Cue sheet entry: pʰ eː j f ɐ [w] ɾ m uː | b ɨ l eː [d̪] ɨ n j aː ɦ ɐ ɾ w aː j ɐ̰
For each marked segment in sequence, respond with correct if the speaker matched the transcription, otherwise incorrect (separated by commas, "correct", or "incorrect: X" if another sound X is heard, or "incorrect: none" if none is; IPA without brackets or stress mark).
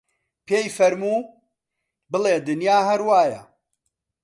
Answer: incorrect: none, correct